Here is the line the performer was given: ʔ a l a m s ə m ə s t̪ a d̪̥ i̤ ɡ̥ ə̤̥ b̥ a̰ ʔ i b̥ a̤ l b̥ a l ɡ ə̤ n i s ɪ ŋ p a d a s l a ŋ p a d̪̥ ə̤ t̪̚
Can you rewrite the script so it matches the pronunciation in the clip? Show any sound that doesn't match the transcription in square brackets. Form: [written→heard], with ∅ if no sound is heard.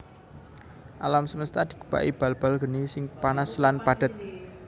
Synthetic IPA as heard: ʔ a l a m s ə m ə s t̪ a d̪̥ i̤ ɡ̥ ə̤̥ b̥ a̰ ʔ i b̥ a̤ l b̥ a l ɡ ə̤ n i s ɪ ŋ p a [d→n] a s l a [ŋ→n] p a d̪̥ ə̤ t̪̚